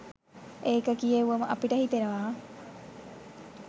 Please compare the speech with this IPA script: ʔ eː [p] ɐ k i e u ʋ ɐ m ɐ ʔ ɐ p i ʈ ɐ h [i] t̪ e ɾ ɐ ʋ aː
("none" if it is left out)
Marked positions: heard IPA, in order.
k, i

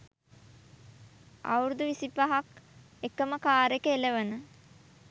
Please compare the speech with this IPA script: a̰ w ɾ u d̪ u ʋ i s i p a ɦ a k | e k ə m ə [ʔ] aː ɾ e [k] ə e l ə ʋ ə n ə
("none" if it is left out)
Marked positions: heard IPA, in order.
k, k

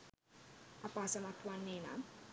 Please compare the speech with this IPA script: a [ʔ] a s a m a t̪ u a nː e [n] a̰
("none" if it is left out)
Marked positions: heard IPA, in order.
p, n

